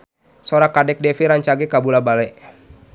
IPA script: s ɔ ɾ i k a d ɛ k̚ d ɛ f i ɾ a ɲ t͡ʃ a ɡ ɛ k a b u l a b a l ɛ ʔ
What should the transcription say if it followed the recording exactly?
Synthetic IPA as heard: s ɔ ɾ a k a d ɛ k̚ d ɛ f i ɾ a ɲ t͡ʃ a ɡ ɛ k a b u l a b a l ɛ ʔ